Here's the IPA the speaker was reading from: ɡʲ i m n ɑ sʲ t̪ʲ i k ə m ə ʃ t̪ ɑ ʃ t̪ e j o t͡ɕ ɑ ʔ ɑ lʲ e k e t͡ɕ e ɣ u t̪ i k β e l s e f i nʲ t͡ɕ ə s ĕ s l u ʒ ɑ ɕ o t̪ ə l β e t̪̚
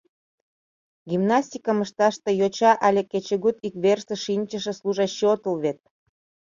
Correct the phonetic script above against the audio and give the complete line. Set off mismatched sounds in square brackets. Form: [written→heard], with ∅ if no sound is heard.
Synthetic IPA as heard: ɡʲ i m n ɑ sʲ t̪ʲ i k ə m ə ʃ t̪ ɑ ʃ t̪ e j o t͡ɕ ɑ ʔ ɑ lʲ e k e t͡ɕ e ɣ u t̪ i k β e [l→r] s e [f→ʃ] i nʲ t͡ɕ ə [s→ʃ] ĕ s l u ʒ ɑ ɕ o t̪ ə l β e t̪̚